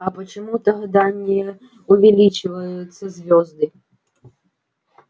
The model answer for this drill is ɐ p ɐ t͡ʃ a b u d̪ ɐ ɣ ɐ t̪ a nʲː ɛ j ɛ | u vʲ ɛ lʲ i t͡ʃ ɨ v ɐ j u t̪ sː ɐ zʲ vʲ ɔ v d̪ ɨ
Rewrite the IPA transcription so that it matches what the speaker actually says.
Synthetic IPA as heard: ɐ p ɐ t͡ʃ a m u t̪ ɐ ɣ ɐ d̪ a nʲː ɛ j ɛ | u vʲ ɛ lʲ i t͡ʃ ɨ v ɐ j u t̪ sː ɐ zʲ vʲ ɔ z d̪ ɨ